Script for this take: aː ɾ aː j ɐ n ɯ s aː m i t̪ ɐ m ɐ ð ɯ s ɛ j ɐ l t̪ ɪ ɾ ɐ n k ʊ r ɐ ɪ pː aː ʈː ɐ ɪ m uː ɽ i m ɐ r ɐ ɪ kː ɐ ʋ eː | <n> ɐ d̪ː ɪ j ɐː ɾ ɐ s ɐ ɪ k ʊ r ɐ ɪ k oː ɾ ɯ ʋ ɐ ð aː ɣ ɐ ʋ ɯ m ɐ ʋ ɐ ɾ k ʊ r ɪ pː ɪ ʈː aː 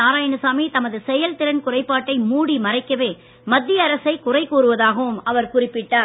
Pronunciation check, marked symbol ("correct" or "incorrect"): incorrect